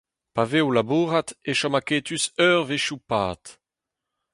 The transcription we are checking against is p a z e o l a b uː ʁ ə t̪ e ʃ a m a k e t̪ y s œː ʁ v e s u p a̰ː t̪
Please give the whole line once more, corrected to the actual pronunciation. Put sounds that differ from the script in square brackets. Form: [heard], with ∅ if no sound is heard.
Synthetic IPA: p a [v] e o l a b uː ʁ [a] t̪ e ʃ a m a k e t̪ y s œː ʁ v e [ʃ] u p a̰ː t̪